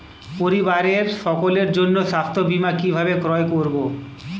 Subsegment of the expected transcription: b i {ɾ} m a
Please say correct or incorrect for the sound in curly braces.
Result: incorrect